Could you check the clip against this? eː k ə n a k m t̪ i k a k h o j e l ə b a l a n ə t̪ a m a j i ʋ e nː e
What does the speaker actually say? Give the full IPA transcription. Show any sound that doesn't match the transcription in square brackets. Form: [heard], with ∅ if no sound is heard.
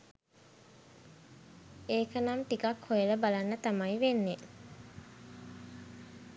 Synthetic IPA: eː k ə n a [∅] m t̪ i k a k h o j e l ə b a l a [nː] ə t̪ a m a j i ʋ e nː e